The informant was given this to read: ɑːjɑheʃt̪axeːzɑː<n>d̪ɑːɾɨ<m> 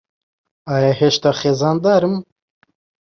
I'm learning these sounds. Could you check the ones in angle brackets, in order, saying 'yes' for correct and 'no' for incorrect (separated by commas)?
yes, yes